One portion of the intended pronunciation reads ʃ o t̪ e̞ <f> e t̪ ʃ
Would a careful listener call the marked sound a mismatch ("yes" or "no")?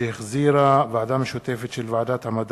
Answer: no